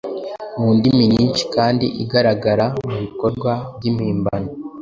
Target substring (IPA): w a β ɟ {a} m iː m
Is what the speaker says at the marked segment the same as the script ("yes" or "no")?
no